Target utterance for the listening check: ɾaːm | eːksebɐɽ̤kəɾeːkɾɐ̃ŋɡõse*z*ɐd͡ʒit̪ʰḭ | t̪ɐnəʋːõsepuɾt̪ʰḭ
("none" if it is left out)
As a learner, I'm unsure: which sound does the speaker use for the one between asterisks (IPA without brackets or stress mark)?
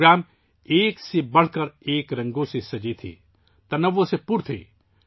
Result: s